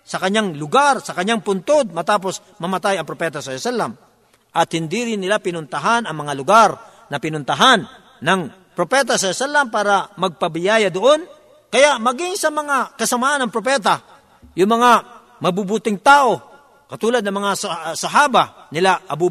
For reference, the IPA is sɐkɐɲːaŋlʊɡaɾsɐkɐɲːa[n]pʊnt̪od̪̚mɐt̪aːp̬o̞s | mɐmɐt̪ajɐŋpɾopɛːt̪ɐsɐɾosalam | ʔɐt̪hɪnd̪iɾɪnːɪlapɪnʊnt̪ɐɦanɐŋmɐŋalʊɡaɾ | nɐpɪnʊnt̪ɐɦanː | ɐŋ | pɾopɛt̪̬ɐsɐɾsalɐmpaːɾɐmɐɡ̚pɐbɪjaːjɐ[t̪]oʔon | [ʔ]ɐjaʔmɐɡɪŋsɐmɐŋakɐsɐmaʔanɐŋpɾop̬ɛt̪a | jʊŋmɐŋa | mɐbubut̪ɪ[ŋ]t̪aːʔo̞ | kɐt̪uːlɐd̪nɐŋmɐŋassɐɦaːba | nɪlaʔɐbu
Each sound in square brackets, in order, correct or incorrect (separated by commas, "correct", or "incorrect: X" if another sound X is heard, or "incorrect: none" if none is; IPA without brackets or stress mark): incorrect: ŋ, incorrect: d̪, incorrect: k, correct